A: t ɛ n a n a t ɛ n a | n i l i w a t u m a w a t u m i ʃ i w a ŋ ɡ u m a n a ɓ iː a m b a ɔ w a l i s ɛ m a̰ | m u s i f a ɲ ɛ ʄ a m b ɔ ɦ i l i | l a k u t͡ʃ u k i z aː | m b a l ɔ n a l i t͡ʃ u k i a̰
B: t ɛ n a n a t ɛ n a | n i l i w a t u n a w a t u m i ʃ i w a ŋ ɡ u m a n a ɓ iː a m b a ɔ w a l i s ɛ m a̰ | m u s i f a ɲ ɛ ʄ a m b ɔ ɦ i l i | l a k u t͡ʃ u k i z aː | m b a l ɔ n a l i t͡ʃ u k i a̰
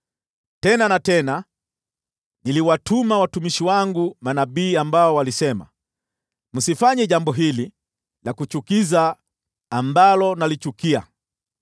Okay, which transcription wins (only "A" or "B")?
A